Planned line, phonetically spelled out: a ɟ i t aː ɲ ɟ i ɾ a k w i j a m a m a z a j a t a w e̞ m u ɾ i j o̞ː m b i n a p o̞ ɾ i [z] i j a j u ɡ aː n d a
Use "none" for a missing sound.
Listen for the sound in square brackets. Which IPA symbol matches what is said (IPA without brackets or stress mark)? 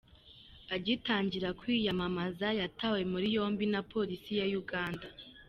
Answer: s